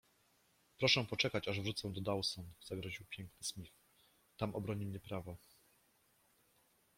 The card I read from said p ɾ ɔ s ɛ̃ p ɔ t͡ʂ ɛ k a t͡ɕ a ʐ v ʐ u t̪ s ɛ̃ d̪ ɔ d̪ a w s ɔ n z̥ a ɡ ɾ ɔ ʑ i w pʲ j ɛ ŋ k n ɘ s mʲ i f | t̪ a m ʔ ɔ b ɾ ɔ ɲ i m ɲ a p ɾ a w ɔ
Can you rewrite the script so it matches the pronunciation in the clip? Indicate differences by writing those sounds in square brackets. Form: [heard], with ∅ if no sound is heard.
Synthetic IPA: p ɾ ɔ [ʂ] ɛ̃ p ɔ t͡ʂ ɛ k a t͡ɕ a ʐ v ʐ u t̪ s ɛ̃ d̪ ɔ d̪ a w s ɔ n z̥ a ɡ ɾ ɔ ʑ i w pʲ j ɛ ŋ k n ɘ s mʲ i f | t̪ a m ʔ ɔ b ɾ ɔ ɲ i m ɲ [ɛ] p ɾ a [v] ɔ